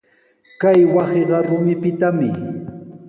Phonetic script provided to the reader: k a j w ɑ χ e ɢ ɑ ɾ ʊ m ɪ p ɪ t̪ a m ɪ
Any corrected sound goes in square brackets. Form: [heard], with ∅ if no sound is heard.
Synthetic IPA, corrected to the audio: k a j w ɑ [s] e ɢ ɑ ɾ ʊ m ɪ p ɪ t̪ a m ɪ